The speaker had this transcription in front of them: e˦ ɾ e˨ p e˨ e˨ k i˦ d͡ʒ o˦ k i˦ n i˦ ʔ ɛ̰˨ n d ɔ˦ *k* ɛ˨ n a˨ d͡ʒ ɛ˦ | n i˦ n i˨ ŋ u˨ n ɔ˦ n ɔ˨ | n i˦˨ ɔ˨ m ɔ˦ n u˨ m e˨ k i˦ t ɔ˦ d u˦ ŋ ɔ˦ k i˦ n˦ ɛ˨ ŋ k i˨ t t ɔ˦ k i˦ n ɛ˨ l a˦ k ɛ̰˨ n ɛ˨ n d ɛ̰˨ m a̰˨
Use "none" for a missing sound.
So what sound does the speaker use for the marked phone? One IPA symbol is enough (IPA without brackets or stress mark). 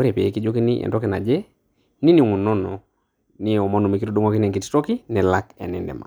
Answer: k